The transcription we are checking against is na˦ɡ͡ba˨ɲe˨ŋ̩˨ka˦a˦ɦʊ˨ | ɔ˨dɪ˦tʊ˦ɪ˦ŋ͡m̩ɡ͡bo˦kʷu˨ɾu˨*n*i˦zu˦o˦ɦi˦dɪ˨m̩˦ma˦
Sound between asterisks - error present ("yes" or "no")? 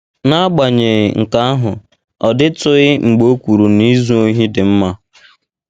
no